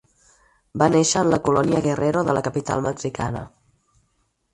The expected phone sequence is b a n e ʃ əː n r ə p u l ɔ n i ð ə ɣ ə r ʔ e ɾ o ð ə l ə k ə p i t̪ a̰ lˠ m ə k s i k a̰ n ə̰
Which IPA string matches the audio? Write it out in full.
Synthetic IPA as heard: b a n e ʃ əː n l ə k u l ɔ n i ə ɣ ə r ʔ e ɾ o ð ə l ə k ə p i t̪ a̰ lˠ m ə k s i k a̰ n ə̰

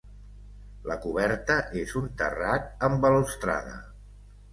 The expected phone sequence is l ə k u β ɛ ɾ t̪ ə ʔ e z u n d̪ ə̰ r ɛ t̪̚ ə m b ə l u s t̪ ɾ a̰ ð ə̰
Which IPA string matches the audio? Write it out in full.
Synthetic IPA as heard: l ə k u β ɛ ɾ t̪ ə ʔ e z u n t̪ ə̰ r a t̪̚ ə m b ə l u s t̪ ɾ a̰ ð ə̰

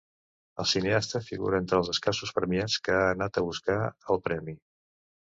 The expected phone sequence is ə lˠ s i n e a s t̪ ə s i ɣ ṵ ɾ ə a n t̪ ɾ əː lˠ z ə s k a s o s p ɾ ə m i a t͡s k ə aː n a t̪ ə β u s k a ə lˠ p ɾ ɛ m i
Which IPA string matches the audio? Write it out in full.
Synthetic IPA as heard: ə lˠ s i n e a s t̪ ə f i ɣ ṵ ɾ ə e n t̪ ɾ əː lˠ z ə s k a s u s p ɾ ə m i a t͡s k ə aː n a t̪ ə β u s k a ə lˠ p ɾ ɛ m i

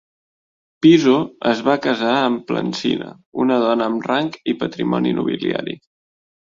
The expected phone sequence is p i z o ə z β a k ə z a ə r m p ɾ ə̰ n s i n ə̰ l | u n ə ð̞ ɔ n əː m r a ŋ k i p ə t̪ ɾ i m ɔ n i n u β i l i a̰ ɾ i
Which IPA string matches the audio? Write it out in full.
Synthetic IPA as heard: p i z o ə z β a k ə z a ə m p l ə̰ n s i n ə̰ | u n ə ð̞ ɔ n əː m r a ŋ k i p ə t̪ ɾ i m ɔ n i n u β i l i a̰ ɾ i

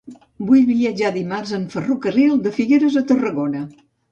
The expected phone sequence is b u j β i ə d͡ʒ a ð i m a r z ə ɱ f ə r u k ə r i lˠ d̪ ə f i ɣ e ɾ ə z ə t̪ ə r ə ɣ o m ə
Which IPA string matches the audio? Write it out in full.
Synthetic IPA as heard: b u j β i ə d͡ʒ a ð i m a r z ə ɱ f ə r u k ə r i lˠ d̪ ə f i ɣ e ɾ ə z ə t̪ ə r ə ɣ o n ə

